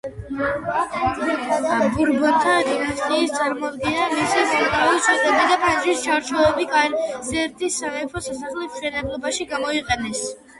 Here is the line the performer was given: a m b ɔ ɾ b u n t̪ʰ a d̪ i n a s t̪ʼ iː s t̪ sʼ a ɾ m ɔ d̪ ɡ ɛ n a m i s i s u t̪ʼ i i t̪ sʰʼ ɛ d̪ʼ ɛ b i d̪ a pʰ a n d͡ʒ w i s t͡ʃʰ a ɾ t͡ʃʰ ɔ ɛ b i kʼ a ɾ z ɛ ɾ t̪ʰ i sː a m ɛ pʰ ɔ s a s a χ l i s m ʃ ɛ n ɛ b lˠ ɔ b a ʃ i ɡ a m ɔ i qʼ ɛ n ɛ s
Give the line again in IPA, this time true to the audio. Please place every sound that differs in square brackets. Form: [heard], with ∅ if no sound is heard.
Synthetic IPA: a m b [u] ɾ b [ɔ] n t̪ʰ a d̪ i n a s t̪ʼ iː s t̪ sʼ a ɾ m ɔ d̪ ɡ ɛ n a m i s i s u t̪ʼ [a] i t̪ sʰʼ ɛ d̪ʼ ɛ b i d̪ a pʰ a n d͡ʒ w i s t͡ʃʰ a ɾ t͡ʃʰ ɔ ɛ b i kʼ a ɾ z ɛ ɾ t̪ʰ i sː a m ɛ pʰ ɔ s a s a χ l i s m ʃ ɛ n ɛ b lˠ ɔ b a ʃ i ɡ a m ɔ i qʼ ɛ n ɛ s

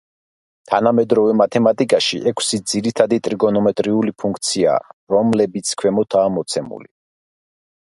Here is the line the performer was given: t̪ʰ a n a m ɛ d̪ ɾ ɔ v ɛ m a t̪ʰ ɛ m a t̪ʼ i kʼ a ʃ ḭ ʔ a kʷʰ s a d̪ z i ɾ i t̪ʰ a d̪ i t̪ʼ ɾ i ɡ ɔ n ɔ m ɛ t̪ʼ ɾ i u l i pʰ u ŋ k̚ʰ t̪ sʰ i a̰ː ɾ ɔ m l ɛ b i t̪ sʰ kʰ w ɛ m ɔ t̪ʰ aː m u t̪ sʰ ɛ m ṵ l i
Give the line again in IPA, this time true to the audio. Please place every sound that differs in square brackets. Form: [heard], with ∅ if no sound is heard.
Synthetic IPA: t̪ʰ a n a m ɛ d̪ ɾ ɔ v ɛ m a t̪ʰ ɛ m a t̪ʼ i kʼ a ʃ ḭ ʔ [ɛ] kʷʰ s [i] d̪ z i ɾ i t̪ʰ a d̪ i t̪ʼ ɾ i ɡ ɔ n ɔ m ɛ t̪ʼ ɾ i u l i pʰ u ŋ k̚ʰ t̪ sʰ i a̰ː ɾ ɔ m l ɛ b i t̪ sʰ kʰ w ɛ m ɔ t̪ʰ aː m [ɔ] t̪ sʰ ɛ m ṵ l i

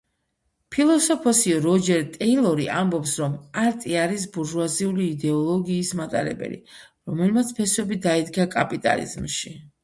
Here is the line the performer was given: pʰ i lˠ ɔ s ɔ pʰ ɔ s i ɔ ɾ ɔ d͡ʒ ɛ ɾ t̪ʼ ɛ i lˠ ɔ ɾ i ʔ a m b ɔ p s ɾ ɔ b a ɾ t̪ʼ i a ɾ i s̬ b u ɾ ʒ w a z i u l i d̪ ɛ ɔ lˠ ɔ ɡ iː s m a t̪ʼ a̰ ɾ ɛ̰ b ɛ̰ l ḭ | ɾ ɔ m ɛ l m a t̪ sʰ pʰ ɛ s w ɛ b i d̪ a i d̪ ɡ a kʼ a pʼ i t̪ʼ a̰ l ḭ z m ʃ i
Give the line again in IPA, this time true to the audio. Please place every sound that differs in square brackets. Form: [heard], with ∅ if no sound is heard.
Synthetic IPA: pʰ i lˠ ɔ s ɔ pʰ ɔ s i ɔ ɾ ɔ d͡ʒ ɛ ɾ t̪ʼ ɛ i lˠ ɔ ɾ i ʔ a m b ɔ p s ɾ ɔ [m] a ɾ t̪ʼ i a ɾ i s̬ b u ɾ ʒ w a z i u l [iː] d̪ ɛ ɔ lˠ ɔ ɡ iː s m a t̪ʼ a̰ ɾ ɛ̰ b ɛ̰ l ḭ | ɾ ɔ m ɛ l m a t̪ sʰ pʰ ɛ s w ɛ b i d̪ a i d̪ ɡ a kʼ a pʼ i t̪ʼ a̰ l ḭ z m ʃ i

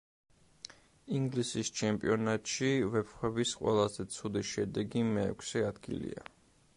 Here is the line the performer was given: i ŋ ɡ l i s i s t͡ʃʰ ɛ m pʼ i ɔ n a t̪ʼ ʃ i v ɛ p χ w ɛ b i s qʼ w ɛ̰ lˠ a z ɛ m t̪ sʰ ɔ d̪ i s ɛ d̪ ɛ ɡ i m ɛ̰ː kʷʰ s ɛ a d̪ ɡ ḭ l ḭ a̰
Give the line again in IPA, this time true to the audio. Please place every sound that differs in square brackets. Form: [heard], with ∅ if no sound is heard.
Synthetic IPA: i ŋ ɡ l i s i s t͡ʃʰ ɛ m pʼ i ɔ n a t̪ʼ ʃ i v ɛ p χ w ɛ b i s qʼ w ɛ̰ lˠ a z ɛ [∅] t̪ sʰ [u] d̪ i [ʃ] ɛ d̪ ɛ ɡ i m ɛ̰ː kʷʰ s ɛ a d̪ ɡ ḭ l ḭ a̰

